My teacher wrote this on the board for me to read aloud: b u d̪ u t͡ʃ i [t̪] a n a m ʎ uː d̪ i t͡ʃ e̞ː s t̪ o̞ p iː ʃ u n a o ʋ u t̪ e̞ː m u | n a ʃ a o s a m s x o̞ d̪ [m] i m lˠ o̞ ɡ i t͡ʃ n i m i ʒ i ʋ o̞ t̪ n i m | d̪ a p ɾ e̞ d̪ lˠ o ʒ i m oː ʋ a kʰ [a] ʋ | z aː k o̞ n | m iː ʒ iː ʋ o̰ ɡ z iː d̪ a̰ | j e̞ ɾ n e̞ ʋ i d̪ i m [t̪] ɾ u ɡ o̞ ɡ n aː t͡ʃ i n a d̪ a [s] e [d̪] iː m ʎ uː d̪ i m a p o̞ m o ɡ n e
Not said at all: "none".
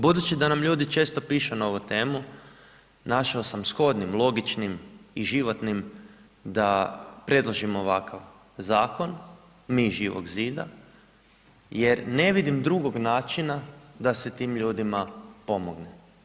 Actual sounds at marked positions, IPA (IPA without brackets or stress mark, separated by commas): d̪, n, a, d̪, s, t̪